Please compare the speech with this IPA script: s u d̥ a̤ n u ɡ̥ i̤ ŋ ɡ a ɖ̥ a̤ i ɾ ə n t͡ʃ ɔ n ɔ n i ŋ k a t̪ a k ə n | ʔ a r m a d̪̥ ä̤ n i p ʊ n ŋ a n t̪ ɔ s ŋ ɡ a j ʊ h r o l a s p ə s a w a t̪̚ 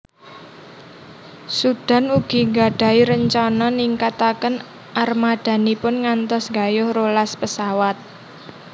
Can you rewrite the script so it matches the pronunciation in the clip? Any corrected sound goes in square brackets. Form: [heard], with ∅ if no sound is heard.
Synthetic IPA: s u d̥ a̤ n u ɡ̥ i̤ ŋ ɡ a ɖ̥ a̤ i ɾ ə [ɲ] t͡ʃ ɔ n ɔ n i ŋ k a t̪ a k ə n | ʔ a r m a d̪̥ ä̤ n i p ʊ n ŋ a n t̪ ɔ s ŋ ɡ a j ʊ h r o l a s p ə s a w a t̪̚